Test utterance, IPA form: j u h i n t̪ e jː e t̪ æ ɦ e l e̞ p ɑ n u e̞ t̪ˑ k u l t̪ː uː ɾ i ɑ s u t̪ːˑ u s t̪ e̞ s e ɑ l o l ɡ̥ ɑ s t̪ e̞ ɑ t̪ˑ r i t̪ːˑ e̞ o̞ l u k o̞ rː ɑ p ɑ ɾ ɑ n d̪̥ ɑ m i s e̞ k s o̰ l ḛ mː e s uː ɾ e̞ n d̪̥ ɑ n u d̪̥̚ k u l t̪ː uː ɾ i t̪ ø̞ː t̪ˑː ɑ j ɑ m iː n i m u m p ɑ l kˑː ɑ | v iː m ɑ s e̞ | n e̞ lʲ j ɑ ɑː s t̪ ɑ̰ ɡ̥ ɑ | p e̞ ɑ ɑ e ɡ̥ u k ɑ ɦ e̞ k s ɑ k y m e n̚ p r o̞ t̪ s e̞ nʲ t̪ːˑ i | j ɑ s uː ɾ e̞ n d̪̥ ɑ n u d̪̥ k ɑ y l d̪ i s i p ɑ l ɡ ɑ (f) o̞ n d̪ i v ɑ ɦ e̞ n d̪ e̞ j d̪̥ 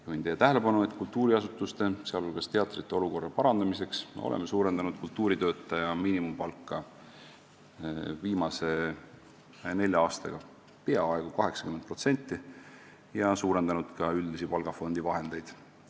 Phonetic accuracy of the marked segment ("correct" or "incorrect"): correct